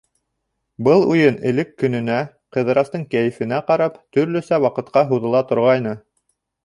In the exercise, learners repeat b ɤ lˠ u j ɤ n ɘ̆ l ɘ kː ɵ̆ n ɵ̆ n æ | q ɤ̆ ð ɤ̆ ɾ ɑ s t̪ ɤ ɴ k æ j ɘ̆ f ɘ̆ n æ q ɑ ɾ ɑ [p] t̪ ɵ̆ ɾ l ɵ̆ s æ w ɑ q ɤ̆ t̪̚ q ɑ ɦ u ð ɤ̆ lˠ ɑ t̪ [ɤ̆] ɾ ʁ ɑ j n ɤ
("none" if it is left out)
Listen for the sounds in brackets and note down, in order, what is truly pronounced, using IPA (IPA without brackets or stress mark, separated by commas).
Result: p, ŏ